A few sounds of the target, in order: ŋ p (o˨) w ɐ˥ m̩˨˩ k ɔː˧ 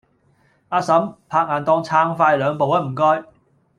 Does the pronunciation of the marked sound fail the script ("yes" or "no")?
no